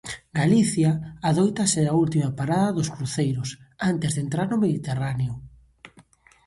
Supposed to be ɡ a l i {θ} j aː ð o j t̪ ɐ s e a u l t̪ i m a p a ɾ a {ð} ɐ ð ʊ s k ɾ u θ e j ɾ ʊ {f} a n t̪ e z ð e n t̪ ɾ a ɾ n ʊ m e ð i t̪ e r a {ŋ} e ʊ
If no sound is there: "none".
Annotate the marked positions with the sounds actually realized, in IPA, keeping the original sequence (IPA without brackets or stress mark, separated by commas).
θ, ð, s, n